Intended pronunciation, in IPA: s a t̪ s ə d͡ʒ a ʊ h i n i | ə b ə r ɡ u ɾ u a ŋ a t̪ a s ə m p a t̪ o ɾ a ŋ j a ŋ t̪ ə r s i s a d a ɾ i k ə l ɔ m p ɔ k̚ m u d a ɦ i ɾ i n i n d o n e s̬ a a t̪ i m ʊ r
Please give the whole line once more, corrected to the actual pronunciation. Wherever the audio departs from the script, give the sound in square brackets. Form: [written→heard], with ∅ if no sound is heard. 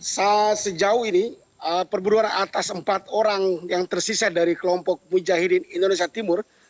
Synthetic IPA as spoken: s a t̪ s ə d͡ʒ a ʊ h i n i | ə [b→p] ə r [ɡ→b] u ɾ u a [ŋ→n] a t̪ a s ə m p a t̪ o ɾ a ŋ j a ŋ t̪ ə r s i s a d a ɾ i k ə l ɔ m p ɔ k̚ m u [d→d͡ʒ] a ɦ i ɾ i n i n d o n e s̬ [a→i] a t̪ i m ʊ r